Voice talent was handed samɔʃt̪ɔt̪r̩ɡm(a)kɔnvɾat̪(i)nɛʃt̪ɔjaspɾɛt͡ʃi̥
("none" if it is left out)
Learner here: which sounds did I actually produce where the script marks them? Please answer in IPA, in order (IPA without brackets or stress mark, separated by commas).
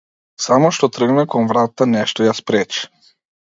ɛ, a